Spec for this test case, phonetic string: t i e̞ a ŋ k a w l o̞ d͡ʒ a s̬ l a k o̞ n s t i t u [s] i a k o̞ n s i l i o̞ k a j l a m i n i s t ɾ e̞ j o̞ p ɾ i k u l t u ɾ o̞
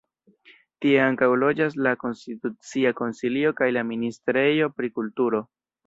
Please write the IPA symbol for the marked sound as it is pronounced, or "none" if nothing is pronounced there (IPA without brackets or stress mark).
t͡s